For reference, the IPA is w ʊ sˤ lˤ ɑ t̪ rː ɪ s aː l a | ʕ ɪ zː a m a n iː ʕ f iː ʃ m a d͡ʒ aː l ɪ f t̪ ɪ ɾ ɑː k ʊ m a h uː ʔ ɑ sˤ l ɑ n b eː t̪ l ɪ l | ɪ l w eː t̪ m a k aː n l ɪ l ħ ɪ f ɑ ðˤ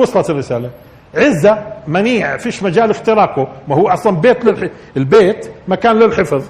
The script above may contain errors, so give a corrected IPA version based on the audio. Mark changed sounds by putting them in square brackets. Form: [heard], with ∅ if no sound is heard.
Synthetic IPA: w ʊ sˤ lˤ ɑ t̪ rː ɪ s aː l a | ʕ ɪ zː a m a n iː ʕ f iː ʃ m a d͡ʒ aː l ɪ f t̪ ɪ ɾ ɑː k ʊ m a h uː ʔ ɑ sˤ l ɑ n b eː t̪ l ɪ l | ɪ l [b] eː t̪ m a k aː n l ɪ l ħ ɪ f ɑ ðˤ